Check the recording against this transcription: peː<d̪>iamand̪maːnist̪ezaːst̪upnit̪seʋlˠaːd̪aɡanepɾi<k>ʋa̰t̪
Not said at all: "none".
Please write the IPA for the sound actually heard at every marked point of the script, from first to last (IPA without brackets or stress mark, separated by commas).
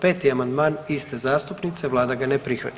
t̪, x